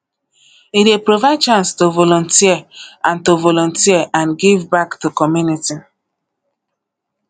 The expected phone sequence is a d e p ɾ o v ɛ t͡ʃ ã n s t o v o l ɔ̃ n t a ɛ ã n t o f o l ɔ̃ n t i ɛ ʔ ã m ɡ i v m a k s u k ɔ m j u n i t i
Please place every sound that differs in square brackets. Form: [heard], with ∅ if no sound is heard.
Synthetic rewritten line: [i] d e p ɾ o v [a] t͡ʃ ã n s t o v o l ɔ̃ n t [i] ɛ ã n t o [v] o l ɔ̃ n t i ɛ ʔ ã [n] ɡ i v [b] a k [t] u k ɔ m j u n i t i

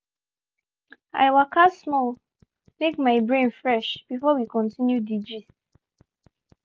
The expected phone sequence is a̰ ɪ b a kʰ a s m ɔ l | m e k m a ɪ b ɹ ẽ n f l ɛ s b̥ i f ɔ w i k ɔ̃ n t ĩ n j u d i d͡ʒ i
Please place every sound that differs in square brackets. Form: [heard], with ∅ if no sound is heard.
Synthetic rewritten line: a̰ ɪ [w] a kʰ a s m ɔ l | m e k m a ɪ b ɹ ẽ n f [ɹ] ɛ [ʃ] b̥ i f ɔ w i k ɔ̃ n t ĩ n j u d i d͡ʒ i

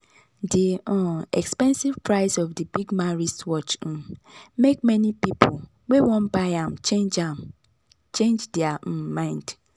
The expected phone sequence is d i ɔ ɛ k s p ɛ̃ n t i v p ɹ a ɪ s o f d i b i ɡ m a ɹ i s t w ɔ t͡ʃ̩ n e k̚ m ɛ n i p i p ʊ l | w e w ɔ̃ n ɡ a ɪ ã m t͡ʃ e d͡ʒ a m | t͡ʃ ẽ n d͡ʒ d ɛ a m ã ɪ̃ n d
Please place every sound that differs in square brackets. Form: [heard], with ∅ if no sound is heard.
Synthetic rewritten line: d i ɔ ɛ k s p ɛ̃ n [s] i v p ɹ a ɪ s [ɔ] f d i b i ɡ m a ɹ i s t w ɔ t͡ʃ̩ [m] e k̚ m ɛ n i p i p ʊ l | w e w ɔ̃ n [b] a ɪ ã m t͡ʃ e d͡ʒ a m | t͡ʃ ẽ n d͡ʒ d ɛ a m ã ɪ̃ n d

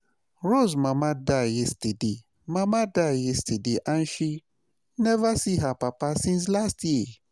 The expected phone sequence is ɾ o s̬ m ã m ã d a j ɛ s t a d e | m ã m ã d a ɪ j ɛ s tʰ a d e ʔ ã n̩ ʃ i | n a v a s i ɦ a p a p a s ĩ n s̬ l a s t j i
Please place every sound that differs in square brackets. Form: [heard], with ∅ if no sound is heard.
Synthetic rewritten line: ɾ o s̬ m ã m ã d a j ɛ s t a d e | m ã m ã d a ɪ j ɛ s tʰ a d e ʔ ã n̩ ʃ i | n [ɛ] v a s i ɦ a p a p a s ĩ n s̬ l a s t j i

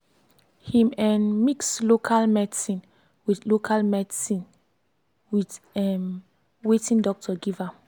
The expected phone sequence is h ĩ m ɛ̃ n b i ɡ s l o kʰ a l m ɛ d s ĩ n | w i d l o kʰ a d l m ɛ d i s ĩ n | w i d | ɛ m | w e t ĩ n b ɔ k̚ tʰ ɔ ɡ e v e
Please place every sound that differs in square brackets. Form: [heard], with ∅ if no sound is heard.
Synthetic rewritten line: h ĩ m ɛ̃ n [m] i [k] s l o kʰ a l m ɛ d s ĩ n | w i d l o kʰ a [∅] l m ɛ d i s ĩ n | w i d | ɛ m | w e t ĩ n [d] ɔ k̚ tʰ ɔ ɡ [i] v [a]

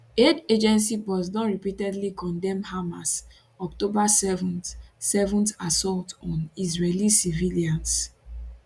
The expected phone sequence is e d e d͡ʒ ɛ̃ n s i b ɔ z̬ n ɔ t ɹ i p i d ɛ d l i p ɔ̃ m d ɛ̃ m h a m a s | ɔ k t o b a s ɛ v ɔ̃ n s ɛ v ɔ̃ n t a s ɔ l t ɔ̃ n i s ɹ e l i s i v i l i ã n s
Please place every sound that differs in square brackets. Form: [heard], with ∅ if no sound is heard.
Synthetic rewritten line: e d e d͡ʒ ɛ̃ n s i b ɔ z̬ n ɔ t ɹ i p i [t] ɛ d l i [k] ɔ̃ [n] d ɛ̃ m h a m a s | ɔ k t o b a s ɛ v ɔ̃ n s ɛ v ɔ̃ n t a s ɔ l t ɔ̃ n i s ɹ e l i s i v i l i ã n s

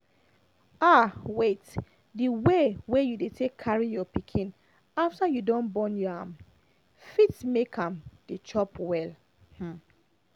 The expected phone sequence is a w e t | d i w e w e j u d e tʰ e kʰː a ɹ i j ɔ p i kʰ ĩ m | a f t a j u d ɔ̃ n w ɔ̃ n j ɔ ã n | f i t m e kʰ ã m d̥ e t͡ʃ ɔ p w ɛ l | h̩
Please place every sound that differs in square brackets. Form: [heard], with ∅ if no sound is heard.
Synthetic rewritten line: a w e t | d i w e w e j u d e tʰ e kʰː a ɹ i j ɔ p i kʰ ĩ [n] | a f t a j u d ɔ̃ n [b] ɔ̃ n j ɔ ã [m] | f i t m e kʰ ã m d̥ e t͡ʃ ɔ p w ɛ l | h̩

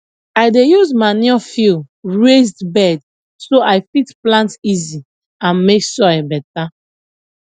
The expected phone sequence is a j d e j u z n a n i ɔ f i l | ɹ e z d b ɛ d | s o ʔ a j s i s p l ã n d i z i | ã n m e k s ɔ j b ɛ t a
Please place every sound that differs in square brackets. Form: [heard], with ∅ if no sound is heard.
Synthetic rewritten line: a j d e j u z [m] a n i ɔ f i l | ɹ e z d b ɛ d | s o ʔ a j [f] i [t] p l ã n [t] i z i | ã n m e k s ɔ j b ɛ t a

